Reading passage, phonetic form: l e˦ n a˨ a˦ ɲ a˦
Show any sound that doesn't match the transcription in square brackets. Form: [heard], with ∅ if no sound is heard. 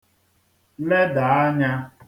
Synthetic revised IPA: l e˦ [d] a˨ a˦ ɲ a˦